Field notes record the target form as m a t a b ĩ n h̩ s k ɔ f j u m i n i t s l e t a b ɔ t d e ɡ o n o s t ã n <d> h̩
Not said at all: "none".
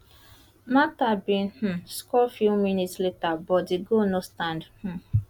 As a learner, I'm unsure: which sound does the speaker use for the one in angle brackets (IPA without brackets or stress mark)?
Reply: d